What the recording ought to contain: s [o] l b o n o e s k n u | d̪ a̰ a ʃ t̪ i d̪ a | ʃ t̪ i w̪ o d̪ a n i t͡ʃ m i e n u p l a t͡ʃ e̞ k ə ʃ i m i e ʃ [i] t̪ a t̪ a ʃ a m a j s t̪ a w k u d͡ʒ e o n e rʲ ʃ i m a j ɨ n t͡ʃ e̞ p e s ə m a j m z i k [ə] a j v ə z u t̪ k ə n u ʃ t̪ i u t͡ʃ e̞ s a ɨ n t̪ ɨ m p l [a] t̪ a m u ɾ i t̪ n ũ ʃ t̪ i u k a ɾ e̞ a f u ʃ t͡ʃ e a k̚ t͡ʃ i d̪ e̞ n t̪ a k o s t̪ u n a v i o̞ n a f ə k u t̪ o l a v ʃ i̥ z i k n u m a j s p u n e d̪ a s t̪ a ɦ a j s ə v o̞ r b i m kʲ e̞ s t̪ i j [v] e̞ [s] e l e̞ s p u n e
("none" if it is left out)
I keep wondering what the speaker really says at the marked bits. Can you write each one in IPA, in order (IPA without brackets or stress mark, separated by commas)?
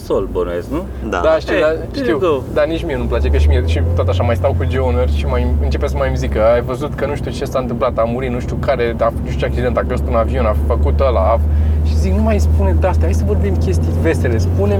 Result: o, i, ə, a, v, s